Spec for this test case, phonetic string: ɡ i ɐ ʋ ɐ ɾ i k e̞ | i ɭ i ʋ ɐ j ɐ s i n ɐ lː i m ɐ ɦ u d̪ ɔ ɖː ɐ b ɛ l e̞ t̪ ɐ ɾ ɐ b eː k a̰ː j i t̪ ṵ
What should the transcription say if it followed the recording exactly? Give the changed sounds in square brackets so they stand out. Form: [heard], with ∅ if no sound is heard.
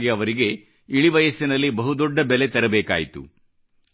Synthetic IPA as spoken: ɡ i ɐ ʋ ɐ ɾ i [ɡ] e̞ | i ɭ i ʋ ɐ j ɐ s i n ɐ lː i [b] ɐ ɦ u d̪ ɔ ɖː ɐ b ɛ l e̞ t̪ ɐ ɾ ɐ b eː k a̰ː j i t̪ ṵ